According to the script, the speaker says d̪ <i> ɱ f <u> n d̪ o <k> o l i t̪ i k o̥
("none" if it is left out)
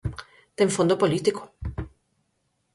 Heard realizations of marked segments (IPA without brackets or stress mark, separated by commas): e, o, p